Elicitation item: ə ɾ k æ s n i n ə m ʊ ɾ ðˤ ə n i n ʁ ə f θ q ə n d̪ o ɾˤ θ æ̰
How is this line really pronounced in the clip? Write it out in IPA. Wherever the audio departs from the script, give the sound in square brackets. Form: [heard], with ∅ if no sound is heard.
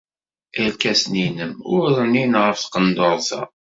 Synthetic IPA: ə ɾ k æ s n i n ə m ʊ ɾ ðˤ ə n i n ʁ ə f θ q ə n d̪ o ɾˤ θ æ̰